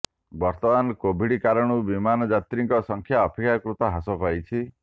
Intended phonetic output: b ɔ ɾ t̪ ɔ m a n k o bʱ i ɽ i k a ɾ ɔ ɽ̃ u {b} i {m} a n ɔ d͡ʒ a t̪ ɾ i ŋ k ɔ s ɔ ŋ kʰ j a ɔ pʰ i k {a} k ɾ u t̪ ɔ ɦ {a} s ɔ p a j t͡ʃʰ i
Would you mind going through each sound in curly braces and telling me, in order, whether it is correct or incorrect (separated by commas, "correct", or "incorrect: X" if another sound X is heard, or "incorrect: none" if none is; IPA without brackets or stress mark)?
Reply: correct, correct, correct, correct